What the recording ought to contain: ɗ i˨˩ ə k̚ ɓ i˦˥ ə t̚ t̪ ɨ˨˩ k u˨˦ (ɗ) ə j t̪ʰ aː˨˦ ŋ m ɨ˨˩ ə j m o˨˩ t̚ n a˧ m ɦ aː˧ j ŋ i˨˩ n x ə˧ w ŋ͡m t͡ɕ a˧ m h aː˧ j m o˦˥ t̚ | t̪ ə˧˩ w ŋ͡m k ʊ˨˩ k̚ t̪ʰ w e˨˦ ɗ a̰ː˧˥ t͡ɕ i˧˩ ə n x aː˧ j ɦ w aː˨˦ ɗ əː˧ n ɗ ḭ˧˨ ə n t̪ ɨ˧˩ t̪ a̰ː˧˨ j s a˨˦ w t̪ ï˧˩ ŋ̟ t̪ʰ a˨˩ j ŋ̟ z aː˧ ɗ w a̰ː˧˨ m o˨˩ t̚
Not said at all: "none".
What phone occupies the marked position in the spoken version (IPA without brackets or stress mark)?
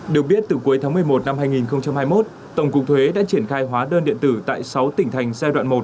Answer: none